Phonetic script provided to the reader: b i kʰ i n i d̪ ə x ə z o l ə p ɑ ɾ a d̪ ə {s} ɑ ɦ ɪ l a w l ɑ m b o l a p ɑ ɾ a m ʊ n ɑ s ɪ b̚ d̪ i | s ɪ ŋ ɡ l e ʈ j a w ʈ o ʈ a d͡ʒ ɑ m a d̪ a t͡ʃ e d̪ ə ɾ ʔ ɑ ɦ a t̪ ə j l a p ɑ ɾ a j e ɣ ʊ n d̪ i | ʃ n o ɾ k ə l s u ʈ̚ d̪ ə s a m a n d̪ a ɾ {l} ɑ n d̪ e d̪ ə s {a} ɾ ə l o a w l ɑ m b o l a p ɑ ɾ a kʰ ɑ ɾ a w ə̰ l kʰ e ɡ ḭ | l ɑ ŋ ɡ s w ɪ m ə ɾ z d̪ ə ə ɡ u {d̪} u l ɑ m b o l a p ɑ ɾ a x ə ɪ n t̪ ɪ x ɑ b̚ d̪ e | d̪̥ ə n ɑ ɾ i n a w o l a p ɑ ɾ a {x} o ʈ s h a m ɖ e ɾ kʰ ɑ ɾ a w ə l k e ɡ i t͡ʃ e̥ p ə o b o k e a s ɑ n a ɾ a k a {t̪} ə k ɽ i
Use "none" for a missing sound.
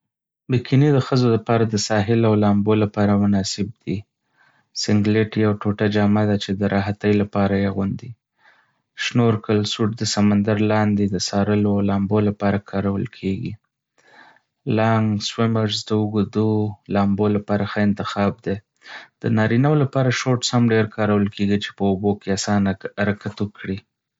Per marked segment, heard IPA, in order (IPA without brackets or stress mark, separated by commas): s, l, ɑ, d̪, ʃ, t̪